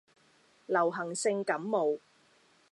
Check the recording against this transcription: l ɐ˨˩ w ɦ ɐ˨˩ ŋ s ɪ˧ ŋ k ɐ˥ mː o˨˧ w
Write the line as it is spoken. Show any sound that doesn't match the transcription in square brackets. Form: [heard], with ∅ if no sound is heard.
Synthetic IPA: l ɐ˨˩ w ɦ ɐ˨˩ ŋ s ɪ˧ ŋ k [ɐ˨˥] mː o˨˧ w